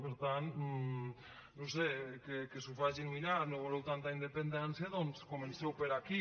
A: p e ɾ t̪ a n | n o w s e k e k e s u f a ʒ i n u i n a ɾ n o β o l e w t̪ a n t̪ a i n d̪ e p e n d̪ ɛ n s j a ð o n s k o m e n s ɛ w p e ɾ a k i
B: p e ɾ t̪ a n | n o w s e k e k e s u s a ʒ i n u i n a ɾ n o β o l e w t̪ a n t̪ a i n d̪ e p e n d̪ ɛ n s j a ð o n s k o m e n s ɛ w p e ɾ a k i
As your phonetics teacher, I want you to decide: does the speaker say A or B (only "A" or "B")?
A